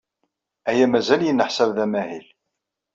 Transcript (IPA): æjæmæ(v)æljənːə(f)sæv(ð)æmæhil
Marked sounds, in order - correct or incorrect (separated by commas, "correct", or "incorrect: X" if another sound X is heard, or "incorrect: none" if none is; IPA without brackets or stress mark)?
incorrect: z, incorrect: ħ, correct